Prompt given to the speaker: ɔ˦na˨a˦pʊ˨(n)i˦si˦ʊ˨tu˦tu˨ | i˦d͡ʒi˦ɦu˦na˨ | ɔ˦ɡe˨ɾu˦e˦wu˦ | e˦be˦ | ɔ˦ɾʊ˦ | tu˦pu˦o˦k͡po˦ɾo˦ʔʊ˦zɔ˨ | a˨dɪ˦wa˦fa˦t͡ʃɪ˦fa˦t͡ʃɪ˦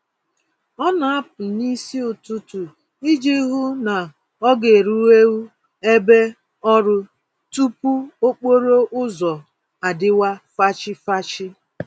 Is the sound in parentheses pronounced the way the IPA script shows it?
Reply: yes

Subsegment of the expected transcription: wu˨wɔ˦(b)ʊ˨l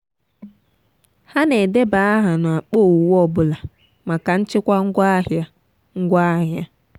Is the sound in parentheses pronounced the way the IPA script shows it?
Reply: yes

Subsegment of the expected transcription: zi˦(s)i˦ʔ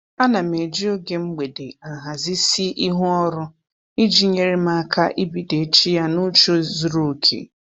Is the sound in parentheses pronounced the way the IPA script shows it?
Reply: yes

